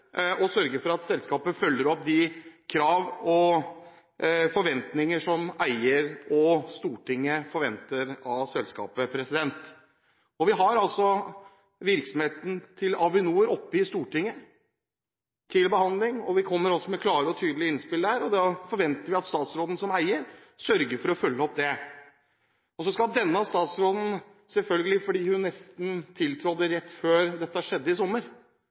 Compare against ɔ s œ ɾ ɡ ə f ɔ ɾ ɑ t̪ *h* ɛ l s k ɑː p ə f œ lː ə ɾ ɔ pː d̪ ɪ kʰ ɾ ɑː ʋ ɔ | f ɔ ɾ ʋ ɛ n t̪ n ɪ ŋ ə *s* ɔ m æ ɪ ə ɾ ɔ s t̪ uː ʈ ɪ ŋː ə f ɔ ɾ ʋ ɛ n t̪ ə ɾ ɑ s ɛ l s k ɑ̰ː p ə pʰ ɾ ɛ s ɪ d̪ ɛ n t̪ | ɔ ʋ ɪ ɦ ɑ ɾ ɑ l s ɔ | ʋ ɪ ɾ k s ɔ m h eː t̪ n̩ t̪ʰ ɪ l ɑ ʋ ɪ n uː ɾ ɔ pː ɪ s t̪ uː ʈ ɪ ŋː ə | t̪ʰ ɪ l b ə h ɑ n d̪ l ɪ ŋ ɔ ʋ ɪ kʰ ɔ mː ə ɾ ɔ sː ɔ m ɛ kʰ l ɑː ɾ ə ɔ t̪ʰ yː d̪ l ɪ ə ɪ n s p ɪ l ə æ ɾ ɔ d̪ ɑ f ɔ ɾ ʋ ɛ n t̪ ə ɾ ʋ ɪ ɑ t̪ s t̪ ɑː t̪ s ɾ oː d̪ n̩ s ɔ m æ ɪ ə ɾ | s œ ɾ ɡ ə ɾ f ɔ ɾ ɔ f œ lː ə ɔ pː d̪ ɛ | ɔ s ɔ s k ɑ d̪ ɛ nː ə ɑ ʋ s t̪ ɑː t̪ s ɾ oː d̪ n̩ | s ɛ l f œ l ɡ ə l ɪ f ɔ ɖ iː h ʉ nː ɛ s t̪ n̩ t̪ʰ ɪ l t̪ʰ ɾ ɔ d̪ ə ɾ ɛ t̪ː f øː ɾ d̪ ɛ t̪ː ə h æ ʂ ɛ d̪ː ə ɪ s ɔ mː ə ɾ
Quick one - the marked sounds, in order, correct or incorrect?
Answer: incorrect, incorrect

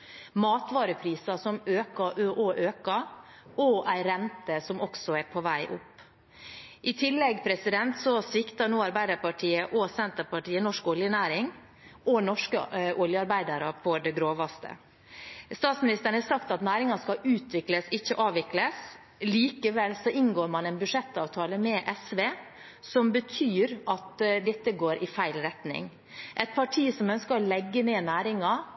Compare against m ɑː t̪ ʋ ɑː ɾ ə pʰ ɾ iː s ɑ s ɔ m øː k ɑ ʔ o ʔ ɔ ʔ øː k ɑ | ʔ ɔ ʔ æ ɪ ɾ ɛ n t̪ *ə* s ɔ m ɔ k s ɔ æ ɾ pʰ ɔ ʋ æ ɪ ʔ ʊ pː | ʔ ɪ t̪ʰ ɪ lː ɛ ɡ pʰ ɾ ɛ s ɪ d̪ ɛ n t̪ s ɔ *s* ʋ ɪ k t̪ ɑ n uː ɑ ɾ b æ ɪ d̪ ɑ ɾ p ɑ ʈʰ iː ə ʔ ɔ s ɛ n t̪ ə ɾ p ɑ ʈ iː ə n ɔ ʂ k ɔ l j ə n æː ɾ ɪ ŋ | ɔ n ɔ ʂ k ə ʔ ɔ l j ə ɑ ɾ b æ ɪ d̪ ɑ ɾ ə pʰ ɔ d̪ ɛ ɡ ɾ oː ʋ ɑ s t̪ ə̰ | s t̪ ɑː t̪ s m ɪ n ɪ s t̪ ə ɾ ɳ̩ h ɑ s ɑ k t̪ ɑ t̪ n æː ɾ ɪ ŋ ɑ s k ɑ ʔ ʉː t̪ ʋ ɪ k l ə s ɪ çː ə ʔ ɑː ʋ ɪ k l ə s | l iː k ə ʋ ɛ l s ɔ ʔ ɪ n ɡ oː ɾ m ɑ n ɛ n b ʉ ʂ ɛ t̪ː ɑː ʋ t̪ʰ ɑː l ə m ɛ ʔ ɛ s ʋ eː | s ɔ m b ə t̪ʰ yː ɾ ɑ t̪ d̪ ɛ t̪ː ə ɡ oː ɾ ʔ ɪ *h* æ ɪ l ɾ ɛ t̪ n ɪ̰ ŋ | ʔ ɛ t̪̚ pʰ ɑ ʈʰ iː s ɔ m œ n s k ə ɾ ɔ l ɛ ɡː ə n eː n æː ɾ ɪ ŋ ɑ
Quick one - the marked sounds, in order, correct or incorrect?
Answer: correct, correct, incorrect

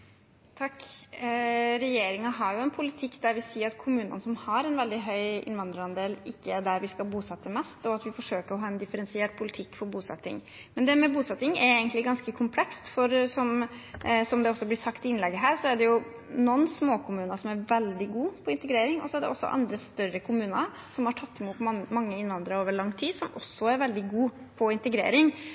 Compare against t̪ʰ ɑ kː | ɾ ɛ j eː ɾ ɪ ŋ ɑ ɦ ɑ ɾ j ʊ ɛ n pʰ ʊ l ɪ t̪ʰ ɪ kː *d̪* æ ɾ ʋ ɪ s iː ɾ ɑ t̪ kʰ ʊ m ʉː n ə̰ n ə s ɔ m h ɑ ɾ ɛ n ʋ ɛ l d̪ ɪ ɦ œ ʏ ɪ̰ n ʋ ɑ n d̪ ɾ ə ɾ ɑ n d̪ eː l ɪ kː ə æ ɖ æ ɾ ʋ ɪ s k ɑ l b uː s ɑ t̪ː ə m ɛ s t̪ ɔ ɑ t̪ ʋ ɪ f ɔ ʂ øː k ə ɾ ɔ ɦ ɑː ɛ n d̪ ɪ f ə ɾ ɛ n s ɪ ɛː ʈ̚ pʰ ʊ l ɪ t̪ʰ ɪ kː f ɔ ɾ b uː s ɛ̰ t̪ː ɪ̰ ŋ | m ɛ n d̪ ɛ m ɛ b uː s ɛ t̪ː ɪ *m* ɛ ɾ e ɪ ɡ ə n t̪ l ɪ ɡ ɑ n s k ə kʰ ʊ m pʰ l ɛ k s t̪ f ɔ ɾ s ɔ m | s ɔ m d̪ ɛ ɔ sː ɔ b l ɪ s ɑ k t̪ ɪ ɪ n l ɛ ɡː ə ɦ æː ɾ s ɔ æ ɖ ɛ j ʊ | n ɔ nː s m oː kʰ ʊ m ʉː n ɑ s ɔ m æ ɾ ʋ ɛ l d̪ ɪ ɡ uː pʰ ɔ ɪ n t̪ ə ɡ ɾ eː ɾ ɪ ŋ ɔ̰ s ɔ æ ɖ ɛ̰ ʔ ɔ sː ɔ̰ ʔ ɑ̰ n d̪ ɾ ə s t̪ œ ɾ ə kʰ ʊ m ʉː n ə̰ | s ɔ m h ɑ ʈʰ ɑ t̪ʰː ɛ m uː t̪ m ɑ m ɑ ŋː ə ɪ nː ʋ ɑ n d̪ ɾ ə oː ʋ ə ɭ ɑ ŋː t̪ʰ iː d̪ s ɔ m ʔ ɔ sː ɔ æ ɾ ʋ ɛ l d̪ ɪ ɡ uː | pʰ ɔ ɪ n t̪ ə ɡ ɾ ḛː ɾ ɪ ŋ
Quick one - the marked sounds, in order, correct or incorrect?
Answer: correct, incorrect

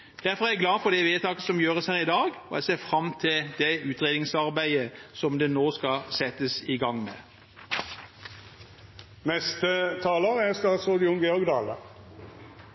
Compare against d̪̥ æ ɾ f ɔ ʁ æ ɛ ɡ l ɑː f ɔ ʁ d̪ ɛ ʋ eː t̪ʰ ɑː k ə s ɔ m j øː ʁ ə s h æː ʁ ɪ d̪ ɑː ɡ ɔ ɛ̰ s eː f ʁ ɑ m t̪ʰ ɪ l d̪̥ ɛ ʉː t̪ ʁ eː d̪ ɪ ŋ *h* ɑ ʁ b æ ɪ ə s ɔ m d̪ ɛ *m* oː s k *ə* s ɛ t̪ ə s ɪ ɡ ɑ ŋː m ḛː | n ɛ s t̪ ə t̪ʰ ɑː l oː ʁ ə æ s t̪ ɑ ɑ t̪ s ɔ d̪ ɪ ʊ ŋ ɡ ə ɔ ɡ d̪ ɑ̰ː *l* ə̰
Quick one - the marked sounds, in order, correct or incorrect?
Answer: incorrect, incorrect, incorrect, correct

